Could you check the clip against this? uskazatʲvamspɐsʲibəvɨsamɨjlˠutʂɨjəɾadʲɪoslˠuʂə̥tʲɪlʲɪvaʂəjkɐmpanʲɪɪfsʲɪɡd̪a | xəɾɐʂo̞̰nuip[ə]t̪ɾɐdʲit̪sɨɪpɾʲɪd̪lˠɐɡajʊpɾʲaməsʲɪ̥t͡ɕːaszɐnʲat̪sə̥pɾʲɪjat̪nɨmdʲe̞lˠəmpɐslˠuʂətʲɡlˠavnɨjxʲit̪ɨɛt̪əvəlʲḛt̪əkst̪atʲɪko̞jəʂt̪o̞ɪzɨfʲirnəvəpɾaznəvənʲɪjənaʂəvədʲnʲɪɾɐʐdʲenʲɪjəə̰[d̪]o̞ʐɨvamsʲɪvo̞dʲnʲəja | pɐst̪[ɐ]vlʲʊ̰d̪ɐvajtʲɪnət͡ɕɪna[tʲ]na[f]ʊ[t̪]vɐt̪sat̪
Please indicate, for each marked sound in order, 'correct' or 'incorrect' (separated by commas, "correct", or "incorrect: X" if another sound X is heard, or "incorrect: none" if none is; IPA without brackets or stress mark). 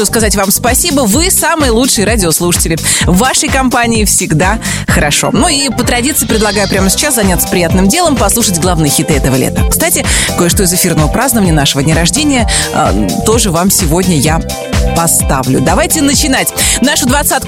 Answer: correct, incorrect: t̪, incorrect: a, correct, incorrect: ʂ, incorrect: d̪